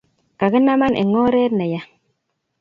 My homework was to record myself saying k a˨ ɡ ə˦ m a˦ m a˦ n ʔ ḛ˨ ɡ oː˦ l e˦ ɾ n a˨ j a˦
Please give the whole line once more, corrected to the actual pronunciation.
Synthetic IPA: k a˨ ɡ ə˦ n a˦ m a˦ n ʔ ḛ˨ ŋ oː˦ ɾ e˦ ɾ n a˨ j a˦